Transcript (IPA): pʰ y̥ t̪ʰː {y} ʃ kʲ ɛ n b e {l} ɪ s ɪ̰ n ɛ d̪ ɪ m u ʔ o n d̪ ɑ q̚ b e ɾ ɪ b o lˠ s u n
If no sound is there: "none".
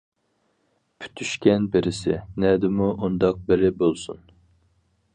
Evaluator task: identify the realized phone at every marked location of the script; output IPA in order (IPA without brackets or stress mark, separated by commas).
y, ɾ